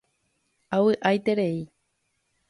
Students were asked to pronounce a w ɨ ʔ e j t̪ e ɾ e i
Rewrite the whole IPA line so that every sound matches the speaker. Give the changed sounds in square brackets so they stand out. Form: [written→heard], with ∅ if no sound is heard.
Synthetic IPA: a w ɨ ʔ [e→a] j t̪ e ɾ e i